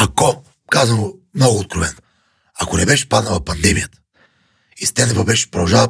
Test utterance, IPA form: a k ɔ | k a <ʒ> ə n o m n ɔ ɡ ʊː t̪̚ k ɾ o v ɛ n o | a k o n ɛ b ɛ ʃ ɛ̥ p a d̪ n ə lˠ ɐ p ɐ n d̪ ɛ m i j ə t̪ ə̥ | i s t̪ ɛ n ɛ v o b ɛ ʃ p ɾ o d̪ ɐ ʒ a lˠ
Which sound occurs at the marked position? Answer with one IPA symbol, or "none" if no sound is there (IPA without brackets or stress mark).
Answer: z